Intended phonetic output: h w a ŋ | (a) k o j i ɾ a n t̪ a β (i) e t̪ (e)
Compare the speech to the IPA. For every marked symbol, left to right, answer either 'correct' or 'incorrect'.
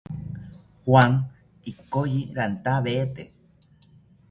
incorrect: i, incorrect: e, correct

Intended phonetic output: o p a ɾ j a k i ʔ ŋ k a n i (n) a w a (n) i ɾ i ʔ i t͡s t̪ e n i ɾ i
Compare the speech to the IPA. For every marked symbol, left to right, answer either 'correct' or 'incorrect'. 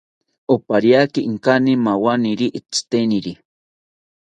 incorrect: m, correct

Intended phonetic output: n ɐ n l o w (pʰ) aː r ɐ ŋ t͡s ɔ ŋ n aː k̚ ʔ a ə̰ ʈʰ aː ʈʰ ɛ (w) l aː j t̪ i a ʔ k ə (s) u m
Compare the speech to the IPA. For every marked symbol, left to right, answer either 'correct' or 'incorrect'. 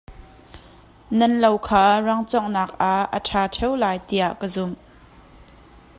incorrect: kʰ, correct, incorrect: z

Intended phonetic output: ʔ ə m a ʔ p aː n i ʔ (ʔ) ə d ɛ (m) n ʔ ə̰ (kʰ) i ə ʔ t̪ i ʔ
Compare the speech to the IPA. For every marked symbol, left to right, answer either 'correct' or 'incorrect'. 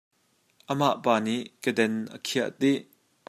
incorrect: k, incorrect: none, correct

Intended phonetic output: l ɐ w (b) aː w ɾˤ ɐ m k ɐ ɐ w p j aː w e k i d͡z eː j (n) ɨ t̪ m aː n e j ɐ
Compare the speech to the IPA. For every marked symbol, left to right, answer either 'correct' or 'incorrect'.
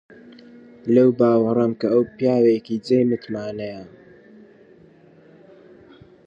correct, incorrect: m

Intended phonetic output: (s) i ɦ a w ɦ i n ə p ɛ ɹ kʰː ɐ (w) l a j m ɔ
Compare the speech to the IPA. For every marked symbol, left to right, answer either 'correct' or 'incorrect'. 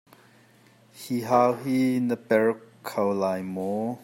incorrect: h, correct

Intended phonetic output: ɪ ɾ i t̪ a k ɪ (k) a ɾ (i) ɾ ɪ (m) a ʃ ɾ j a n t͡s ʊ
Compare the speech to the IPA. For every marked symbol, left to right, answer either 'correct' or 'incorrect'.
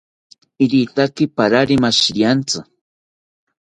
incorrect: p, incorrect: a, correct

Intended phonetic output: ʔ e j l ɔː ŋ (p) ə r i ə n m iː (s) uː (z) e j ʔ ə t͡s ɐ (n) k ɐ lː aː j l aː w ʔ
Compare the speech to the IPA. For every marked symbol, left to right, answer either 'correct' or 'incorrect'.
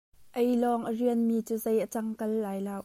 incorrect: ʔ, incorrect: t͡s, correct, incorrect: ŋ

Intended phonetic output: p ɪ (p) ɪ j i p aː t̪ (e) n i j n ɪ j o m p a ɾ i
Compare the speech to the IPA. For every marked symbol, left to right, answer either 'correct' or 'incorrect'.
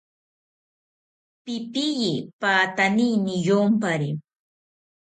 correct, incorrect: a

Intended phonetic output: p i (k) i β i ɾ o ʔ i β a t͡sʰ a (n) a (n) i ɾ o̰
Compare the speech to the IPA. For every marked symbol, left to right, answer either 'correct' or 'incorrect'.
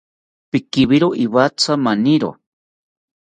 correct, incorrect: m, correct

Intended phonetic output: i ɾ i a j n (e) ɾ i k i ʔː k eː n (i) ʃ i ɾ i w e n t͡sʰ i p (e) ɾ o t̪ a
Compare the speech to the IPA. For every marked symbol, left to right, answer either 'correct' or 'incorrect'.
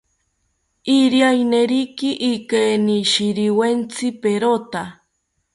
correct, correct, correct

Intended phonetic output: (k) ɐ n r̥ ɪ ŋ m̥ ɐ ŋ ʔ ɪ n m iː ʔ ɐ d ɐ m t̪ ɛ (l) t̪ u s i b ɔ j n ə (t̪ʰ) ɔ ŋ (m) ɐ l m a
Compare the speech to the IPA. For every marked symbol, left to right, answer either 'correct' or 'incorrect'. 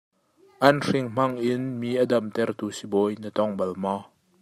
incorrect: ʔ, incorrect: r, incorrect: t̪, incorrect: b

